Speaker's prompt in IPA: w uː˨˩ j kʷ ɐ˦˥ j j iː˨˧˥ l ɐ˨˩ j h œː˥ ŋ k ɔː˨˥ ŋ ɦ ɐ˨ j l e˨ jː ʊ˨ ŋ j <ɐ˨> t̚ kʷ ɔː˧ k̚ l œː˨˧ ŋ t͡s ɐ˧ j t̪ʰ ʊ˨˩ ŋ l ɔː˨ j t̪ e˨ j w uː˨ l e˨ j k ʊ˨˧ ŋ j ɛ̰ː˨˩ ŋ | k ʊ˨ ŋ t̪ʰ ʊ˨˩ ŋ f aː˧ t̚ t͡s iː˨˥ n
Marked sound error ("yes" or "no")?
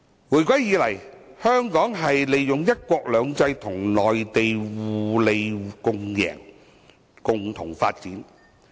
yes